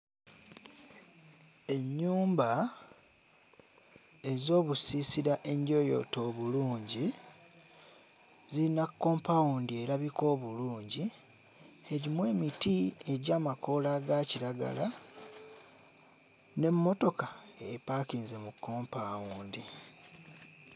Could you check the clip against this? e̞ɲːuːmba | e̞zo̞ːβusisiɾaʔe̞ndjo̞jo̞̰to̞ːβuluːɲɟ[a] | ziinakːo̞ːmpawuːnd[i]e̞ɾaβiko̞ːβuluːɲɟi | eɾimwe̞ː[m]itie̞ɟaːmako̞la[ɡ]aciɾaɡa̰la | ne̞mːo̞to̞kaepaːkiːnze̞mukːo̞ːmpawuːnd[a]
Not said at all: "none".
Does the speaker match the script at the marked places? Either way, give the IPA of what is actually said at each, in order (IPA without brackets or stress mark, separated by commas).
i, i, m, ɡ, i